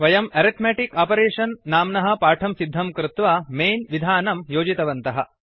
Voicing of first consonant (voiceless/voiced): voiced